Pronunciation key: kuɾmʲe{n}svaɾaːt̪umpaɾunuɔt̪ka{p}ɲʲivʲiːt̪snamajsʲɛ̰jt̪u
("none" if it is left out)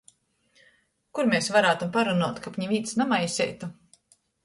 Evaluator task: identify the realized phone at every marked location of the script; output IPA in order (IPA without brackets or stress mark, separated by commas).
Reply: none, p